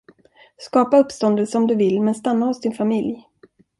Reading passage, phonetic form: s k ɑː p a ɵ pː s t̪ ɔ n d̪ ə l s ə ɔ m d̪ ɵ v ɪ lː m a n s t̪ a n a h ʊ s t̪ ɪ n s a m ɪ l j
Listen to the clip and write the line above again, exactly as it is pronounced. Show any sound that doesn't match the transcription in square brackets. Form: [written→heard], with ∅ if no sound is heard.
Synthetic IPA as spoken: s k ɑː p a ɵ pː s t̪ ɔ n d̪ ə l s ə ɔ m d̪ ɵ v ɪ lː m [a→ɛ] n s t̪ a [n→nː] a h ʊ s [t̪→d̪] ɪ n [s→f] a m ɪ l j